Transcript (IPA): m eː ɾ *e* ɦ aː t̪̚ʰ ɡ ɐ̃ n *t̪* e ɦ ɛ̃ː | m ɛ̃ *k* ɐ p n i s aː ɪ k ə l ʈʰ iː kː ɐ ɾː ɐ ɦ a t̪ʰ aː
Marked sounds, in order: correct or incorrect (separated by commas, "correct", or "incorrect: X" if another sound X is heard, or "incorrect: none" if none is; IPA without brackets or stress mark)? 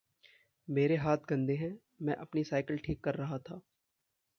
correct, incorrect: d̪, incorrect: ʔ